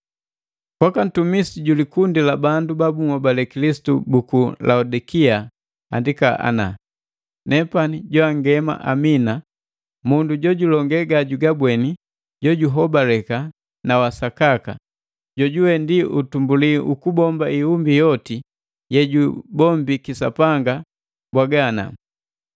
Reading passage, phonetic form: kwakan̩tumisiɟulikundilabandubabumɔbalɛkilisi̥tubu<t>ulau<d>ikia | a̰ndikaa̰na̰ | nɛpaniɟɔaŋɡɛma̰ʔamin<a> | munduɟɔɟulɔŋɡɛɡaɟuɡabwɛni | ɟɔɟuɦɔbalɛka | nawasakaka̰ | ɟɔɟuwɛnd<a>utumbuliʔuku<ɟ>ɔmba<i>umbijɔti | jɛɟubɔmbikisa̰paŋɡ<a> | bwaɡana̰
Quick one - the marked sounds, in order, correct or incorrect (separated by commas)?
incorrect, correct, correct, incorrect, incorrect, correct, correct